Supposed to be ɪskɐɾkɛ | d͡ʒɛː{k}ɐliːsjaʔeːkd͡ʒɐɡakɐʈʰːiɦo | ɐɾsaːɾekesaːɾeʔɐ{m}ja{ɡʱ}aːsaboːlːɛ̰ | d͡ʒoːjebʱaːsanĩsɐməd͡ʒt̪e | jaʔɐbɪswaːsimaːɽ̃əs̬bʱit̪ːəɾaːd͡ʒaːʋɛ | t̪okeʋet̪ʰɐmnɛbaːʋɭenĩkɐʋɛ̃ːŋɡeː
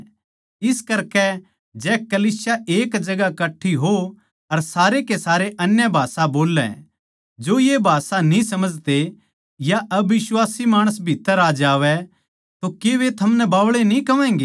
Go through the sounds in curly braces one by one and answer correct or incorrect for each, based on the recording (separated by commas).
correct, incorrect, incorrect